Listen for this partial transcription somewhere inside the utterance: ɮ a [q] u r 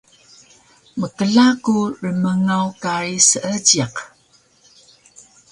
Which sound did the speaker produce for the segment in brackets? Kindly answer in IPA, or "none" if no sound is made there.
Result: k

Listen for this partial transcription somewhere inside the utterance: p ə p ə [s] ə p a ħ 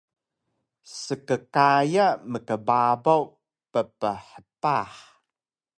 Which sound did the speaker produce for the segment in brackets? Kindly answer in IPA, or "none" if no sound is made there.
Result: ħ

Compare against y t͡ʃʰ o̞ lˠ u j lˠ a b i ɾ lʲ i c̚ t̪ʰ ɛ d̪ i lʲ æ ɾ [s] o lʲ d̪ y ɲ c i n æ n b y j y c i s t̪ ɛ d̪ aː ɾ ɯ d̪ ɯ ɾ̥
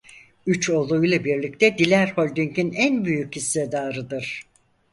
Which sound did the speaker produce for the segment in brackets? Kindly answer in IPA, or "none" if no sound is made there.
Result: h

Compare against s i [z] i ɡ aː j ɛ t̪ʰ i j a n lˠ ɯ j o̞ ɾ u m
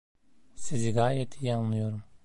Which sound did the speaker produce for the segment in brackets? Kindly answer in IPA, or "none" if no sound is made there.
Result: z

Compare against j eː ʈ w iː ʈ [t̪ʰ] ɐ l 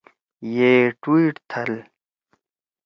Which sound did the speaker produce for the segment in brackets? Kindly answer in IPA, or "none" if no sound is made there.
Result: t̪ʰ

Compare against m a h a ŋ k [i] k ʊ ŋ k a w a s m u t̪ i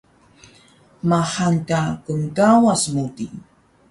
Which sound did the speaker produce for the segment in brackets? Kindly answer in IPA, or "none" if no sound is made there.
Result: a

